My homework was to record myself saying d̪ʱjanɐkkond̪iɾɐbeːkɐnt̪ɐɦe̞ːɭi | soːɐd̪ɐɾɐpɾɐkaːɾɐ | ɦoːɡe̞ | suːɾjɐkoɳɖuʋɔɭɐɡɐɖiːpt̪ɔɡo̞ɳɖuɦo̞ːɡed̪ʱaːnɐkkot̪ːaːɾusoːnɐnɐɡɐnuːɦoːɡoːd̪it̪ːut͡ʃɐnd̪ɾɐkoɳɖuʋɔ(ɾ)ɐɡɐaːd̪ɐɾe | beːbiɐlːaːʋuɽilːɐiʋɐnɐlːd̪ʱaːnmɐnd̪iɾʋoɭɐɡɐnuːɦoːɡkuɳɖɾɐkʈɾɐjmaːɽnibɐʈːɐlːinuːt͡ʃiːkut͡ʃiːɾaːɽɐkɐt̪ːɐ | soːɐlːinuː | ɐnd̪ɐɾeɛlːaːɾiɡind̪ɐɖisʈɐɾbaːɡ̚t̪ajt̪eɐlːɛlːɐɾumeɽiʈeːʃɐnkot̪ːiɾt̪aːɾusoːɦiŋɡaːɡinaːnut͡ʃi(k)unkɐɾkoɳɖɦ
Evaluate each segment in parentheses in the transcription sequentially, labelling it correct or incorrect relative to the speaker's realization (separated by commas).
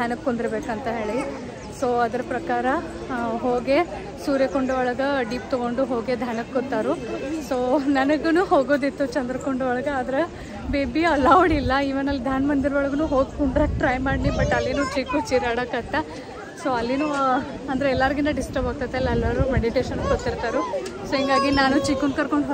incorrect, correct